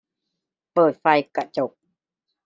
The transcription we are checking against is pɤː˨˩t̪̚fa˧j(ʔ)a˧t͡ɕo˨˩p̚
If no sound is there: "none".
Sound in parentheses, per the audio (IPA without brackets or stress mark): k